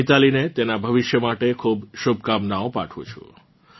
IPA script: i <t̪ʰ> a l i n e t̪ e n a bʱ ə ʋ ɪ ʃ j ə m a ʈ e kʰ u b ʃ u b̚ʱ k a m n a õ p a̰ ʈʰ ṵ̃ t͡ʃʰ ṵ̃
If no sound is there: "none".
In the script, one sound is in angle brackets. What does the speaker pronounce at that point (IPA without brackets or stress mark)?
t̪